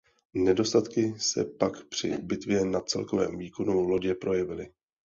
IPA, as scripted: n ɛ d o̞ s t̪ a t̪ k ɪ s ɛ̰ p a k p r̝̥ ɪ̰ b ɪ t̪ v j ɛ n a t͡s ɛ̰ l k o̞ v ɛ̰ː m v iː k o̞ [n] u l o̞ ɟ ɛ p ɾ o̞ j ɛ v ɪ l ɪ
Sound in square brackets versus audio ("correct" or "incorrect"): correct